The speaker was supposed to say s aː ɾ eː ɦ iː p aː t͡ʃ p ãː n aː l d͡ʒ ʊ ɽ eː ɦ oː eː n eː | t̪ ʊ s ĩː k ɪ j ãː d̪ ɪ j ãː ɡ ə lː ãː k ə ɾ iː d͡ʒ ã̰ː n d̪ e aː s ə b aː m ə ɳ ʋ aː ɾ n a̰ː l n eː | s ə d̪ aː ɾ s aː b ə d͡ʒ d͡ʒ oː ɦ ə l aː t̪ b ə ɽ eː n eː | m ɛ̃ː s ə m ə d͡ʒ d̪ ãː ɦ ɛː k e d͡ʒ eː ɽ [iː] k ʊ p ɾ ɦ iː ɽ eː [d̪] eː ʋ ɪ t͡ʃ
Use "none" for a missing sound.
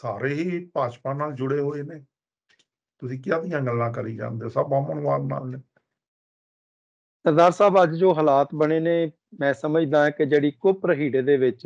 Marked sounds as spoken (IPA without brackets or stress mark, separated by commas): iː, d̪